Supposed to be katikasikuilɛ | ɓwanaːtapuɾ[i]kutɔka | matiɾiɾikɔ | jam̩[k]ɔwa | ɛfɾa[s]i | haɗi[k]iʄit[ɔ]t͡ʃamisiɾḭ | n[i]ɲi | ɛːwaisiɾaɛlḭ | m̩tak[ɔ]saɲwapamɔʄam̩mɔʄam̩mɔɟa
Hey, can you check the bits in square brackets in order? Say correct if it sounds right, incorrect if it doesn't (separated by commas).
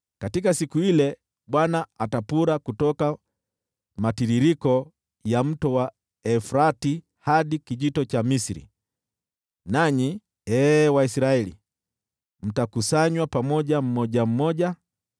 incorrect, incorrect, incorrect, correct, correct, incorrect, incorrect